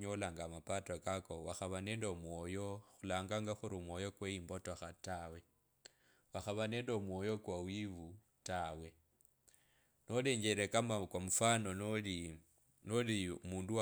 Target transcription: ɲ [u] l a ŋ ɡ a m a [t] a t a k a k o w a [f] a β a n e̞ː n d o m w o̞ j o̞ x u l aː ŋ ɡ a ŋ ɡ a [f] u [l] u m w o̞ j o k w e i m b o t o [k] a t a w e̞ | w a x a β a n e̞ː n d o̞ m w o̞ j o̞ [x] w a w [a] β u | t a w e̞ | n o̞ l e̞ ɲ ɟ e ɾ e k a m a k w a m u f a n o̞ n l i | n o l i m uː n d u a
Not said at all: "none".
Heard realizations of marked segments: o, p, x, x, ɾ, x, k, i

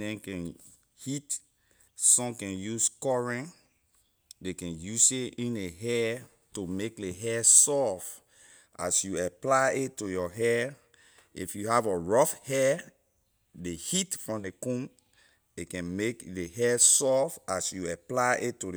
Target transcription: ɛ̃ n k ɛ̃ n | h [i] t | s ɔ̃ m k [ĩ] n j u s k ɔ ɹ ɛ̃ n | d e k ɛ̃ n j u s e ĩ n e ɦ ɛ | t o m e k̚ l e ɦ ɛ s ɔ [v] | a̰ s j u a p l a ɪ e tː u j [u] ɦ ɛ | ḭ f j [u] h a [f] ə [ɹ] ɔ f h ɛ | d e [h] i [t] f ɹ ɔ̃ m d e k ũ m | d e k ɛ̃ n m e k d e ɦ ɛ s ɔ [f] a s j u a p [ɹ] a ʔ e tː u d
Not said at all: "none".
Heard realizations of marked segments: i, ɛ̃, f, ɔ, u, v, ɹ, h, t, f, l

